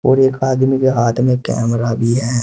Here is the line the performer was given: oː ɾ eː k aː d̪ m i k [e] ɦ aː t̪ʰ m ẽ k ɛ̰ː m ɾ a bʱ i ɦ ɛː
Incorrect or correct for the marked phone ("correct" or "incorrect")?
correct